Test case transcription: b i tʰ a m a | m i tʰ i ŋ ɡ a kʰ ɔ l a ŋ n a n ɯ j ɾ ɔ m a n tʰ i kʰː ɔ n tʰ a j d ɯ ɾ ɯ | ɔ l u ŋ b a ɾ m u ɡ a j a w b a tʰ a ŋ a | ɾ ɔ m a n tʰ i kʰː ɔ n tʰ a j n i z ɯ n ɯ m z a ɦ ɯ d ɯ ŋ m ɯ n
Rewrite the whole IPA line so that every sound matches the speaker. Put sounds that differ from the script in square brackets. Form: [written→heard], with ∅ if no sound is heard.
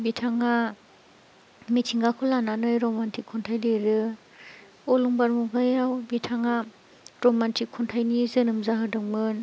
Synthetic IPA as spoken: b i tʰ a [m→ŋ] a | m i tʰ i ŋ ɡ a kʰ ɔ l a [ŋ→∅] n a n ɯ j ɾ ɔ m a n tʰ i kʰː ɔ n tʰ a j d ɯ ɾ ɯ | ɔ l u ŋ b a ɾ m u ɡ a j a w b [a→i] tʰ a ŋ a | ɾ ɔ m a n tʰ i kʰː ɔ n tʰ a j n i z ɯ n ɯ m z a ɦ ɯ d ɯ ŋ m ɯ n

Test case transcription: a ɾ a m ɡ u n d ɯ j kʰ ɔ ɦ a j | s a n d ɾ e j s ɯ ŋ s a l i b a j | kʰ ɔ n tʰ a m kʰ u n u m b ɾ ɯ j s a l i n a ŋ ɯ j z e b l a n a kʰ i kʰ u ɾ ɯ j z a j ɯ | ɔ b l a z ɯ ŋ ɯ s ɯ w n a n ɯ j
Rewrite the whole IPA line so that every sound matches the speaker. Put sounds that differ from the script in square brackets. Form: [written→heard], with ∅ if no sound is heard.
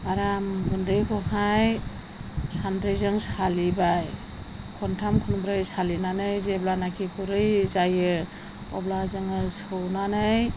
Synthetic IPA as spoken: a ɾ a m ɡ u n d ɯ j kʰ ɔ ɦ a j | s a n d ɾ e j [s→z] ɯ ŋ s a l i b a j | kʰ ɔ n tʰ a m kʰ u n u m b ɾ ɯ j s a l i n a [ŋ→n] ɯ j z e b l a n a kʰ i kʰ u ɾ ɯ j z a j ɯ | ɔ b l a z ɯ ŋ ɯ s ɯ w n a n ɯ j

